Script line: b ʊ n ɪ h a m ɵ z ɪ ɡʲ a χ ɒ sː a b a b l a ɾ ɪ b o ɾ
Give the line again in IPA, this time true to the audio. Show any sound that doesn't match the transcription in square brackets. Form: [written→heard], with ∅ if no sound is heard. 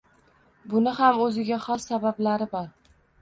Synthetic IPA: b ʊ n ɪ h a m ɵ z ɪ ɡʲ a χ ɒ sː a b a b l a ɾ ɪ b [o→ɒ] ɾ